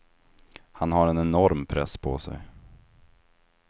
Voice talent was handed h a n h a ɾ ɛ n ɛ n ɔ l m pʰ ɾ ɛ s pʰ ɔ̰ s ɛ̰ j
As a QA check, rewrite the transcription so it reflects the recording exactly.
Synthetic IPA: h a n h a ɾ ɛ n ɛ n ɔ ɾ m pʰ ɾ ɛ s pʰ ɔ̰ s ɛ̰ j